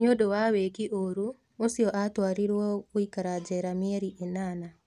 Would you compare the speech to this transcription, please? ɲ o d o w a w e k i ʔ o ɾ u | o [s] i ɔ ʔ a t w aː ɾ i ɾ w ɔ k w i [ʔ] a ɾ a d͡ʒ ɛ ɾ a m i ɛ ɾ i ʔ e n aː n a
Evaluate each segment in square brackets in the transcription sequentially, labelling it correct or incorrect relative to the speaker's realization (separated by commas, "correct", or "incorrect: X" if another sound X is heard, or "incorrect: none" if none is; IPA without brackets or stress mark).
correct, incorrect: k